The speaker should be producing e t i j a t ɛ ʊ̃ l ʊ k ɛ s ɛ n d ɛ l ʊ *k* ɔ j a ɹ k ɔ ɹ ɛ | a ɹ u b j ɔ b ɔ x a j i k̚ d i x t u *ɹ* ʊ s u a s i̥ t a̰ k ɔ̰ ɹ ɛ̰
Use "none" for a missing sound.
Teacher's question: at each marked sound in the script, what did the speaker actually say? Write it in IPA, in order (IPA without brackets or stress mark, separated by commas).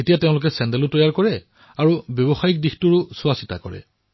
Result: t, ɹ